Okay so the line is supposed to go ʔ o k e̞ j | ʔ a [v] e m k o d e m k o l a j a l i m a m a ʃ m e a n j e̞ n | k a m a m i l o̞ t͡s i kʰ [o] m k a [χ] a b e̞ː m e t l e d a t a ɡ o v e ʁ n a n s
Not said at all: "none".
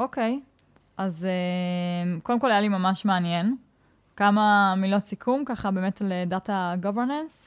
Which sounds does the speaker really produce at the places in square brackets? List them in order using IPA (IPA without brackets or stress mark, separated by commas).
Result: z, u, χ